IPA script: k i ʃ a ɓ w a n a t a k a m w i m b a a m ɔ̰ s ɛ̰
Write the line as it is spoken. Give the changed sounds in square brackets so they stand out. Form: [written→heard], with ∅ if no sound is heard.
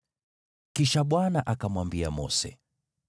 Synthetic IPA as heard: k i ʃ a ɓ w a n a [t→ʔ] a k a m w [i→a] m b [a→i] a m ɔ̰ s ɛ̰